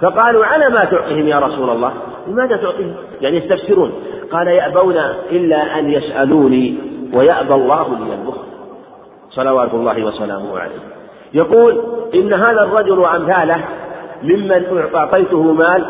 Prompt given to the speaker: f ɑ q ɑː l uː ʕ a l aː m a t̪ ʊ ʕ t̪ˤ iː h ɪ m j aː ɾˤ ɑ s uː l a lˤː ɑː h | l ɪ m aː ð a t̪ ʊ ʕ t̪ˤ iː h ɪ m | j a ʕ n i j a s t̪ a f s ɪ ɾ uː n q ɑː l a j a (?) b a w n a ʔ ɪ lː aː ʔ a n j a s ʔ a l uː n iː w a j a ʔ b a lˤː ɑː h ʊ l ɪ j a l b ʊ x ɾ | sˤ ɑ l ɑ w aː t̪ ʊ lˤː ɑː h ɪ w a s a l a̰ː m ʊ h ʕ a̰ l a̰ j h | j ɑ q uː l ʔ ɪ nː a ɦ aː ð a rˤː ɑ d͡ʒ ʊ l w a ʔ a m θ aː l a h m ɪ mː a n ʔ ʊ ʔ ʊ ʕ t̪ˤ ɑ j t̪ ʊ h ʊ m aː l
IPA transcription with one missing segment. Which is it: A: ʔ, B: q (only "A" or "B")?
A